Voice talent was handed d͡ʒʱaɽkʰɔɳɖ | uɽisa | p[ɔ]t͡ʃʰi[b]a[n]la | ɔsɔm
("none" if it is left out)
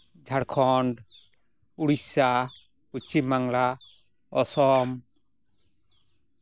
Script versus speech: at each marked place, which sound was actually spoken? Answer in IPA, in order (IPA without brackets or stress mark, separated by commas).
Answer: u, m, ŋ